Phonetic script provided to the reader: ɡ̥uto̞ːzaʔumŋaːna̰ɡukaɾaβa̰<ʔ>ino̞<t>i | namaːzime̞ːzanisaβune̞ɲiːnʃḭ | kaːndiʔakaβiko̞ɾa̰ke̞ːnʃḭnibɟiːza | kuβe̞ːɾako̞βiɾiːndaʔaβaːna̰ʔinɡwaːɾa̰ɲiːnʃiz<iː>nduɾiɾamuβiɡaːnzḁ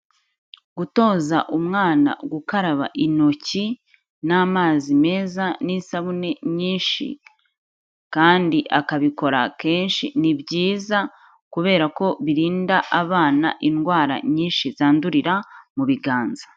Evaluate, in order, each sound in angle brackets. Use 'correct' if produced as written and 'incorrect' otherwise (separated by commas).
correct, incorrect, incorrect